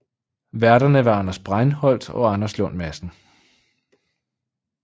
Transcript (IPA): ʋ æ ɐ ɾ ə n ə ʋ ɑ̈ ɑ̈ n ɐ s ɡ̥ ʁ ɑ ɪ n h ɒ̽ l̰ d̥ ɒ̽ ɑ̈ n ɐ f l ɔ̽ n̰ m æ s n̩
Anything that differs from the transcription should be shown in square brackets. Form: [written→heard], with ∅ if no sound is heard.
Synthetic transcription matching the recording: ʋ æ ɐ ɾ [ə→ɐ] n ə ʋ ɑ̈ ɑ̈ n ɐ s [ɡ̥→b̥] ʁ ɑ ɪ n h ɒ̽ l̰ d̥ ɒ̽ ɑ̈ n ɐ [f→s] l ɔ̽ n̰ m æ s n̩